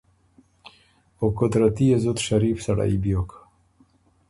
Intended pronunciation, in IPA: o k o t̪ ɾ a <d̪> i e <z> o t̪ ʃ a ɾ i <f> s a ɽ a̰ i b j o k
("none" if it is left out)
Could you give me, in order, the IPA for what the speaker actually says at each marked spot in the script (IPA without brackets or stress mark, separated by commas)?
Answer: t̪, z, f